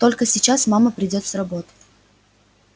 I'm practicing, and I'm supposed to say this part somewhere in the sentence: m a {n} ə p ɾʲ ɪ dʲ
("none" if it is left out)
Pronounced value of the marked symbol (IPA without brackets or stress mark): m